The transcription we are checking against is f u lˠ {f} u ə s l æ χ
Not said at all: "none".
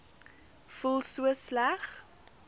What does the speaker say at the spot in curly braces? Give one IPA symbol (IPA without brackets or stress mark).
s